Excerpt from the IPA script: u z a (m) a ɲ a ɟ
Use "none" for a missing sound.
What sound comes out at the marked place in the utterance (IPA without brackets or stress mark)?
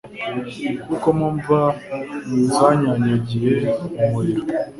ɲ